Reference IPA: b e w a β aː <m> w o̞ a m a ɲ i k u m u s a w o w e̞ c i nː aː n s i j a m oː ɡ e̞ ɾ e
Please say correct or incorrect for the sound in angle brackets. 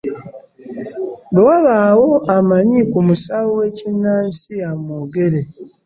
incorrect: none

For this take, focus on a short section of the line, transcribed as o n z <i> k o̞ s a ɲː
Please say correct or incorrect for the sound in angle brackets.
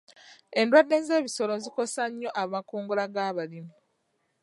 correct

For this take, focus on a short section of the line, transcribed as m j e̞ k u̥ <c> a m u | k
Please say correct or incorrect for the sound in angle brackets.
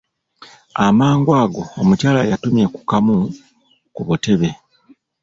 incorrect: k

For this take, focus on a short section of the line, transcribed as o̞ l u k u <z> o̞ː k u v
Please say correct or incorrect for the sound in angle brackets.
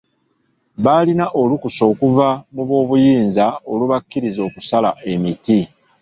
incorrect: s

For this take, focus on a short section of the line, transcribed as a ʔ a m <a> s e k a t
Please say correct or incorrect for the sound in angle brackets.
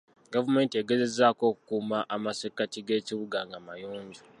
correct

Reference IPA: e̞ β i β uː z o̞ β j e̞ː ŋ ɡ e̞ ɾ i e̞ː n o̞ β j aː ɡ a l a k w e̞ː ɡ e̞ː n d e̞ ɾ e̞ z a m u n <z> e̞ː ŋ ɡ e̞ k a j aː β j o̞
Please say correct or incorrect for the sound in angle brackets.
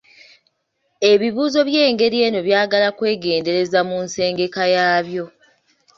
incorrect: s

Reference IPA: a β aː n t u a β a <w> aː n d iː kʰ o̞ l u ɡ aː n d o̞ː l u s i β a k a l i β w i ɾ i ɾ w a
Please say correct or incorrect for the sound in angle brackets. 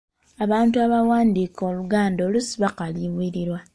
correct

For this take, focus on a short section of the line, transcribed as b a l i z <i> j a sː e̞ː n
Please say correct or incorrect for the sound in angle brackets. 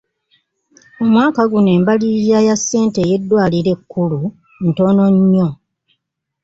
incorrect: a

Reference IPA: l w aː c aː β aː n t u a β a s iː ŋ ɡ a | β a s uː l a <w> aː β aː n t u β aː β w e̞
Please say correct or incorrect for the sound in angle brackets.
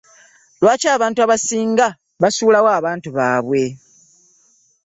correct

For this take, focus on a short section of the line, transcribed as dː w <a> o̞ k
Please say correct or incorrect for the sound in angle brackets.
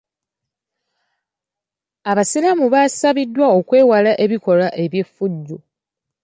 correct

